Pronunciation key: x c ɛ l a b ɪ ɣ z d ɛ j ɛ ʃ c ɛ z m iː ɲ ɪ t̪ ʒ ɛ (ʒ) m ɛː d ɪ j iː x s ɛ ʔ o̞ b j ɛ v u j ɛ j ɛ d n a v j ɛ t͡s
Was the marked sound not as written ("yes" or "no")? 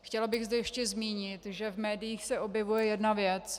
yes